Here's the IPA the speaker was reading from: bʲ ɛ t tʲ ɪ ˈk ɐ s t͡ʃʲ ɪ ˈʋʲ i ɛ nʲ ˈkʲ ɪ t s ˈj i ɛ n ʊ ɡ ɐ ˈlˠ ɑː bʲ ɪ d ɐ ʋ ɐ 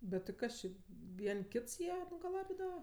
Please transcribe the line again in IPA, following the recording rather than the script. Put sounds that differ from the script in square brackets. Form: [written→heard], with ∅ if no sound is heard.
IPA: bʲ ɛ t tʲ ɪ ˈk ɐ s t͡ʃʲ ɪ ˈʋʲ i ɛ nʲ ˈkʲ ɪ t s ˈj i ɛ n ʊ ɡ ɐ ˈlˠ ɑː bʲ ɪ d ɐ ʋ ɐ